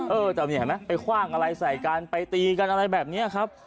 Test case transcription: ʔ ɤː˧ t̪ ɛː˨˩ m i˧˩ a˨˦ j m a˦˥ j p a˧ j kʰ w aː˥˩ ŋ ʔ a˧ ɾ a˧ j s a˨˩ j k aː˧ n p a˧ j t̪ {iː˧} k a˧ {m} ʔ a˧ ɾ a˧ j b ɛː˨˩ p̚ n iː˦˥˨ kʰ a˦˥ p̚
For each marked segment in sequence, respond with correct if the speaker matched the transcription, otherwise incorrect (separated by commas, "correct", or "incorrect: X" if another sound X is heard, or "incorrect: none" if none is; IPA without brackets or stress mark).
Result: correct, incorrect: n